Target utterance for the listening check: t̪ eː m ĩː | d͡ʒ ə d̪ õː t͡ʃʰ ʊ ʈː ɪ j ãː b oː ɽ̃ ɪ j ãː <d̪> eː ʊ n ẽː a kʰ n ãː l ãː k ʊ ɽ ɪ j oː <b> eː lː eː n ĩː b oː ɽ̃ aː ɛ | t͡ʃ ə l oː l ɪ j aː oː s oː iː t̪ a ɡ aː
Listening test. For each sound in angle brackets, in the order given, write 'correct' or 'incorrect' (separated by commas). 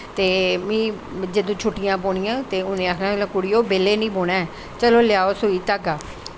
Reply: incorrect, correct